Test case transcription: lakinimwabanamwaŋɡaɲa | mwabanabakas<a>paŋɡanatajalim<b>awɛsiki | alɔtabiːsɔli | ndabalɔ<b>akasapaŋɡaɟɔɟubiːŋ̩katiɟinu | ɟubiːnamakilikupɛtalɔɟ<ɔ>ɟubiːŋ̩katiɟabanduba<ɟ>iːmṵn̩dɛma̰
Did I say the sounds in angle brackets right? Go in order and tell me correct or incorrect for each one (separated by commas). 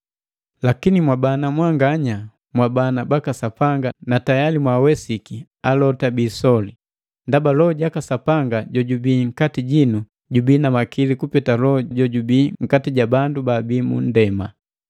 correct, incorrect, incorrect, correct, incorrect